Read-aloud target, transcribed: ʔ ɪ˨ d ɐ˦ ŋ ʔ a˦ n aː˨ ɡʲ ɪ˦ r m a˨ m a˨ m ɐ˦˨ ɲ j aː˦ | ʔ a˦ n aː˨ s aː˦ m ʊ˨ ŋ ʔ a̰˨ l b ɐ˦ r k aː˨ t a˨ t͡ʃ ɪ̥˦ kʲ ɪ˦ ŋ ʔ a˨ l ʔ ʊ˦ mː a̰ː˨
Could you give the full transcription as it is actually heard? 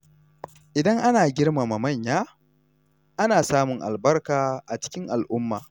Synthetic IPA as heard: ʔ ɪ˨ d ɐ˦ ŋ ʔ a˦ n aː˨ ɡʲ ɪ˦ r m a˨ m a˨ m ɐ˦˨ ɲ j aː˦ | ʔ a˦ n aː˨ s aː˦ m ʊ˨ ŋ ʔ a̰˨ l b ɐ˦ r k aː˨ ʔ a˨ t͡ʃ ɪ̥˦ kʲ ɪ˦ ŋ ʔ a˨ l ʔ ʊ˦ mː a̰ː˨